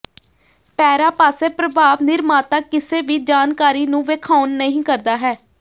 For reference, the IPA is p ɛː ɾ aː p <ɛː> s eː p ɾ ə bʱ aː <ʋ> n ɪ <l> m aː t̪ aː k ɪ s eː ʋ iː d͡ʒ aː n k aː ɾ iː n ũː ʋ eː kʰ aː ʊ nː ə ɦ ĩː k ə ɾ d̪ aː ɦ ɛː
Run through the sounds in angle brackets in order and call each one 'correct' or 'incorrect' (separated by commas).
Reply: incorrect, correct, incorrect